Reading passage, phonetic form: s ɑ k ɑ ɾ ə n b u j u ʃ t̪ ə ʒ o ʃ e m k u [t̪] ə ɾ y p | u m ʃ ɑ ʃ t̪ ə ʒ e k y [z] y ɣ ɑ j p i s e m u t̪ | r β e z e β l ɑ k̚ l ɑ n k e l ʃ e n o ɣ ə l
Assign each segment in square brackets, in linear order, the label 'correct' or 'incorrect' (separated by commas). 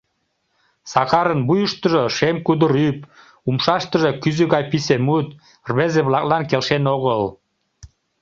incorrect, correct